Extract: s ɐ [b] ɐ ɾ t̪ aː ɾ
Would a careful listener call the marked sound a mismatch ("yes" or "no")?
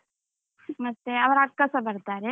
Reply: no